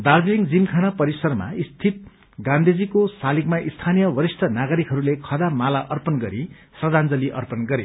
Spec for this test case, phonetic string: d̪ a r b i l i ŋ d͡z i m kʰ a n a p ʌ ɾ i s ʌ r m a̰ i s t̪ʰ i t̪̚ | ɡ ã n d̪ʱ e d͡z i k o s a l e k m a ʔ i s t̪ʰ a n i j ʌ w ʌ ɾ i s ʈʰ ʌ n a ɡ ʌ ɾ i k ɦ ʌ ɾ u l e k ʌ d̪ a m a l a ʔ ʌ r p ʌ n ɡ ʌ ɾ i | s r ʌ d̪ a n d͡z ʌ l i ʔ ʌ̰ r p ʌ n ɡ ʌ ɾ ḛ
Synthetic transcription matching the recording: d̪ a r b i l i ŋ d͡z i m kʰ a n a p ʌ ɾ i s ʌ r m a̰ i s t̪ʰ i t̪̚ | ɡ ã n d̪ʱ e d͡z i k o s a l i k m a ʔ i s t̪ʰ a n i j ʌ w ʌ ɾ i s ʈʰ ʌ n a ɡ ʌ ɾ i k ɦ ʌ ɾ u l e kʰ ʌ d̪ a m a l a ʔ ʌ r p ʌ n ɡ ʌ ɾ i | s r ʌ d̪ a n d͡z ʌ l i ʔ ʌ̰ r p ʌ n ɡ ʌ ɾ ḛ